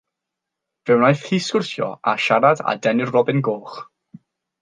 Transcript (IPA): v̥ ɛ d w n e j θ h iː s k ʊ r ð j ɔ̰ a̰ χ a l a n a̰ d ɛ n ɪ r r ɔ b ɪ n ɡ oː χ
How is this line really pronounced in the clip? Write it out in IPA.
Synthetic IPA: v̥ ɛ w n a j θ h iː s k ʊ r θ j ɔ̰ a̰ ʃ a ɾ a d a̰ d ɛ n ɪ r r ɔ b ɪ n ɡ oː χ